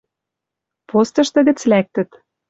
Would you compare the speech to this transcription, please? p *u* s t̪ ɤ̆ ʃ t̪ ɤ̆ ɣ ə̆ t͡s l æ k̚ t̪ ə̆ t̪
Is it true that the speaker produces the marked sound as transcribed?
no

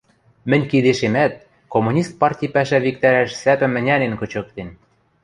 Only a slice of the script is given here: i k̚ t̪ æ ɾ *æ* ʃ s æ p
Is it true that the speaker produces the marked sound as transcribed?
yes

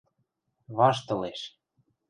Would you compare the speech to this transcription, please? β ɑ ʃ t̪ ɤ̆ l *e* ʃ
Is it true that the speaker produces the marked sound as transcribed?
yes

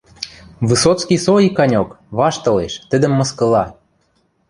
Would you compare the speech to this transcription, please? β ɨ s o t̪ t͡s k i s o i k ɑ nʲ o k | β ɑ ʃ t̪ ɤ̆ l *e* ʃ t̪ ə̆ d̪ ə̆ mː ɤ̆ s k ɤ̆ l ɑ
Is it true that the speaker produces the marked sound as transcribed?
yes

